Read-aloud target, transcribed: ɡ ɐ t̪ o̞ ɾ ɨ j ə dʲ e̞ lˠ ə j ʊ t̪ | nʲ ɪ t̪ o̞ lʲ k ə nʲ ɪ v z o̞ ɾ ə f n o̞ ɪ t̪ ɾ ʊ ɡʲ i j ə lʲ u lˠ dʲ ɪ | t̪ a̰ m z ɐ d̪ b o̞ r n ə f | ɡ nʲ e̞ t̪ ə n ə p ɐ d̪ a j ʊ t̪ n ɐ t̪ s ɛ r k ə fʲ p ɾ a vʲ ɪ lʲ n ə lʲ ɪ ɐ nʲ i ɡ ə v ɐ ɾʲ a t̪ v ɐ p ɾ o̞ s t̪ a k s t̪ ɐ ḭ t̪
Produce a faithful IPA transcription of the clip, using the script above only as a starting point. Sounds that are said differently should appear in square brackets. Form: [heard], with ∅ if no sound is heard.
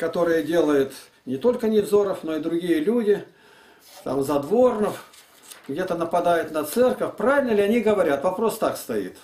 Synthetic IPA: [k] ɐ t̪ o̞ ɾ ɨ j ə dʲ e̞ lˠ ə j ʊ t̪ | nʲ ɪ t̪ o̞ lʲ k ə nʲ ɪ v z o̞ ɾ ə f n o̞ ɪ [d̪] ɾ ʊ ɡʲ i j ə lʲ u [∅] dʲ ɪ | t̪ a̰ m z ɐ d̪ [v] o̞ r n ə f | ɡ [dʲ] e̞ t̪ ə n ə p ɐ d̪ a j ʊ t̪ n ɐ t̪ s ɛ r k ə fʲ p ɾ a vʲ ɪ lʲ n ə lʲ ɪ ɐ nʲ i ɡ ə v ɐ ɾʲ a t̪ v ɐ p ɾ o̞ s t̪ a k s t̪ ɐ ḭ t̪

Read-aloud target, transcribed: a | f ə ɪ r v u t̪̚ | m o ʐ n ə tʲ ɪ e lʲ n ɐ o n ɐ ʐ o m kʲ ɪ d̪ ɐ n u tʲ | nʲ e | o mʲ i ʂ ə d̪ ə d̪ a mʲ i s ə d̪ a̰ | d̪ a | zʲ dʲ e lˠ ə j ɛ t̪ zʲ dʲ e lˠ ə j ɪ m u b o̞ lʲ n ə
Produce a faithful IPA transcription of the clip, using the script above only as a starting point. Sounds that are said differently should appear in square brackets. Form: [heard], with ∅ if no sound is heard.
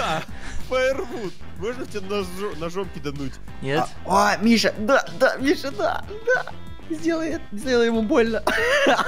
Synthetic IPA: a | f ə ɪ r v u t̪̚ | m o ʐ n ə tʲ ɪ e [∅] n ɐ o n ɐ ʐ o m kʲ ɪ d̪ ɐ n u tʲ | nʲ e | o mʲ i ʂ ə d̪ [a] d̪ a mʲ i [ʂ] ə d̪ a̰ | d̪ a | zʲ dʲ e lˠ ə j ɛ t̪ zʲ dʲ e lˠ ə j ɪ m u b o̞ lʲ n ə

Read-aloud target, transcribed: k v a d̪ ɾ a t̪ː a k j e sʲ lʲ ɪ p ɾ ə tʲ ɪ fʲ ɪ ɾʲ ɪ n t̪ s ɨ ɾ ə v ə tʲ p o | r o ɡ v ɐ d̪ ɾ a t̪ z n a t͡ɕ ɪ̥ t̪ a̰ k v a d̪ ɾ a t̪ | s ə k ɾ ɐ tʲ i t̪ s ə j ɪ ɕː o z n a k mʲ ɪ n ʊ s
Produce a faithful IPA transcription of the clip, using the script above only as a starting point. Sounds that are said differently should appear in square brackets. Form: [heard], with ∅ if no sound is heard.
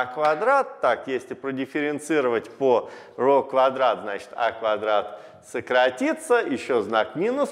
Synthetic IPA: k v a d̪ ɾ a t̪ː a k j e sʲ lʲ ɪ p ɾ ə [dʲ] ɪ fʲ ɪ ɾʲ ɪ n t̪ s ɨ ɾ ə v ə tʲ p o | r o [k] v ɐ d̪ ɾ a t̪ z n a t͡ɕ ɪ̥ t̪ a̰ k v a d̪ ɾ a t̪ | s ə k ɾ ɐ tʲ i t̪ s ə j ɪ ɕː o z n a k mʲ [i] n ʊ s

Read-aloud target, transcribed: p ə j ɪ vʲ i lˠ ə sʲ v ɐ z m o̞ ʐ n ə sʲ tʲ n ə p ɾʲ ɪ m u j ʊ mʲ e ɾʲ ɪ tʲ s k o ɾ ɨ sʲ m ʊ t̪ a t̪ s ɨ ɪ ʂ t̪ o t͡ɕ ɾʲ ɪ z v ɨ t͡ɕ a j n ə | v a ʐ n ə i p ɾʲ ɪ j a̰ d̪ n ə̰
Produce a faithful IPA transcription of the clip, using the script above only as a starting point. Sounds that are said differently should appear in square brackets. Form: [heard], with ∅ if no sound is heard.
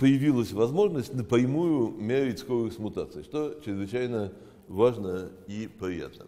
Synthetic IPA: p ə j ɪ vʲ i lˠ ə sʲ v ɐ z m o̞ ʐ n ə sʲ tʲ n ə p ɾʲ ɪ m u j ʊ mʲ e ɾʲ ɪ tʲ s k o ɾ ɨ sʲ m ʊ t̪ a t̪ s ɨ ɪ ʂ t̪ o t͡ɕ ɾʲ ɪ z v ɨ t͡ɕ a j n ə | v a ʐ n ə i p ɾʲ ɪ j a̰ [t̪] n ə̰

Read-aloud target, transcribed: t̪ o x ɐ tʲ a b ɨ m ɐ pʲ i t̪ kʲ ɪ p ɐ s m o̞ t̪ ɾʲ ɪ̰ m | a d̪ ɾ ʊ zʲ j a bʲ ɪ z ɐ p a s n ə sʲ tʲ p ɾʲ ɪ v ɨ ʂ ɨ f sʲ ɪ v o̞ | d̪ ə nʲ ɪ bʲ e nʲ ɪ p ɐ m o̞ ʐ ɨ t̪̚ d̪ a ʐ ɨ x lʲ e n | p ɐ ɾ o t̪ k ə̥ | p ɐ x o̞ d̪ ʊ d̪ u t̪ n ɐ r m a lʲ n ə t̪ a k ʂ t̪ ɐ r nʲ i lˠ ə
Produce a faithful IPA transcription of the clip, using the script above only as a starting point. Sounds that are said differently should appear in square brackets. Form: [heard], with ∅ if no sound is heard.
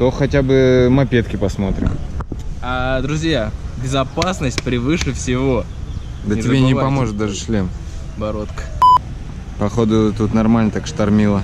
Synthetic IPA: t̪ o x ɐ tʲ a b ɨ m ɐ pʲ [e] t̪ kʲ ɪ p ɐ s m o̞ t̪ ɾʲ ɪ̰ m | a d̪ ɾ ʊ zʲ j a bʲ ɪ z ɐ p a s n ə sʲ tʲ p ɾʲ ɪ v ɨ ʂ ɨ f sʲ ɪ v o̞ | d̪ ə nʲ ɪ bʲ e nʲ ɪ p ɐ m o̞ ʐ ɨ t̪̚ d̪ a ʐ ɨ [ʂ] lʲ e [m] | [b] ɐ ɾ o t̪ k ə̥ | p ɐ x o̞ d̪ ʊ [t̪] u t̪ n ɐ r m a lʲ n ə t̪ a k ʂ t̪ ɐ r [mʲ] i lˠ ə

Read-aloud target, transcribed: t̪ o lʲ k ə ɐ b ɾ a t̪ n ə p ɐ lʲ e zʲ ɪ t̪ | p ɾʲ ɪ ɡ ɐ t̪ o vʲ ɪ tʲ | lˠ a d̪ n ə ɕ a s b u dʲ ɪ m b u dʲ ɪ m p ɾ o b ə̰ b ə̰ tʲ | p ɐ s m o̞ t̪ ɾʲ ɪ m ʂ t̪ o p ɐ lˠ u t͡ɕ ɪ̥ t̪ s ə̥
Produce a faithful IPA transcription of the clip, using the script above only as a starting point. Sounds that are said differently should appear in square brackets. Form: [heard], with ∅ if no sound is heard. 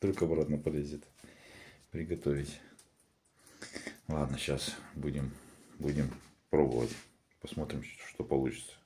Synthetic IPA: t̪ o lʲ k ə ɐ b ɾ a t̪ n ə p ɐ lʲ e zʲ ɪ t̪ | p ɾʲ ɪ ɡ ɐ t̪ o vʲ ɪ tʲ | lˠ a d̪ n ə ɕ a s b u dʲ ɪ m b u dʲ ɪ m p ɾ o b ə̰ [v] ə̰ tʲ | p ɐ s m o̞ t̪ ɾʲ ɪ m ʂ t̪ o p ɐ lˠ u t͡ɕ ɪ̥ t̪ s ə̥

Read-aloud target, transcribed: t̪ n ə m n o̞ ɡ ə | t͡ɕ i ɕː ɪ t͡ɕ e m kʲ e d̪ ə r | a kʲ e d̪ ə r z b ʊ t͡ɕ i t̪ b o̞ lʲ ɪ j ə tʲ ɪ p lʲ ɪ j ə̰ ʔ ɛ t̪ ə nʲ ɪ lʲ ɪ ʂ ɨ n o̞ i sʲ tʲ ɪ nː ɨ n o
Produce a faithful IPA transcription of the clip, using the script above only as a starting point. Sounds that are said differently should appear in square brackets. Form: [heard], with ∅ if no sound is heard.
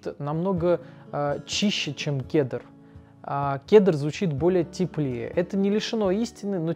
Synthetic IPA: t̪ n [ɐ] m n o̞ ɡ ə | t͡ɕ i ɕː ɪ t͡ɕ e m kʲ e d̪ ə r | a kʲ e d̪ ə r z [v] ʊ t͡ɕ i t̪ b o̞ lʲ ɪ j ə tʲ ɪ p lʲ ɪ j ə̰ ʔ ɛ t̪ ə nʲ ɪ lʲ ɪ ʂ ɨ n o̞ i sʲ tʲ ɪ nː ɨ n o

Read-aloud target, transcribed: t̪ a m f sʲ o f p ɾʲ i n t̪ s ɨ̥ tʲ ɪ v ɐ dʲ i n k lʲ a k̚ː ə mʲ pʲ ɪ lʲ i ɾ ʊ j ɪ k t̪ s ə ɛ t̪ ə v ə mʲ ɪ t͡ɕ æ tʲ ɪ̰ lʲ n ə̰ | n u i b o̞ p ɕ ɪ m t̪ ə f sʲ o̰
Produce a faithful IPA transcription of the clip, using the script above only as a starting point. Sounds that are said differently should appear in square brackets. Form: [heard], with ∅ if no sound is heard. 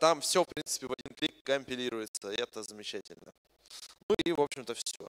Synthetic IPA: t̪ a m f sʲ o f p ɾʲ i n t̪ s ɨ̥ [pʲ] ɪ v ɐ dʲ i n k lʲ [i] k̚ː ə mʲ pʲ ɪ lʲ i ɾ ʊ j ɪ [∅] t̪ s ə ɛ t̪ ə [z] ə mʲ ɪ t͡ɕ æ tʲ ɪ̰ lʲ n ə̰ | n u i [v] o̞ p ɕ ɪ m t̪ ə f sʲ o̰

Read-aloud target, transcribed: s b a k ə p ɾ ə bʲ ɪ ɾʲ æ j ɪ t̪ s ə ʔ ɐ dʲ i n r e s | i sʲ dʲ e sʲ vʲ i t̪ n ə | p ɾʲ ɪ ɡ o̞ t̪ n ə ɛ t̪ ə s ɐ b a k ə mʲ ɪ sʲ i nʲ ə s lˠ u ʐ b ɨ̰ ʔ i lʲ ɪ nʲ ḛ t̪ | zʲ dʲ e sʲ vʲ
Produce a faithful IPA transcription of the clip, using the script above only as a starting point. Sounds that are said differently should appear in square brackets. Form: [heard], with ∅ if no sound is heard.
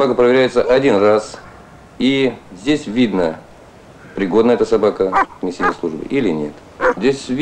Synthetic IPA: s b a k ə p ɾ ə [vʲ] ɪ ɾʲ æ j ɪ t̪ s ə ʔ ɐ dʲ i n r [a] s | i [zʲ] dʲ e sʲ vʲ i [d̪] n ə | p ɾʲ ɪ ɡ o̞ [d̪] n ə ɛ t̪ ə s ɐ b a k ə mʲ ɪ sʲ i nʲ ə s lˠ u ʐ b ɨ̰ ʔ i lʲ ɪ nʲ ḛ t̪ | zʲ dʲ e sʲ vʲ

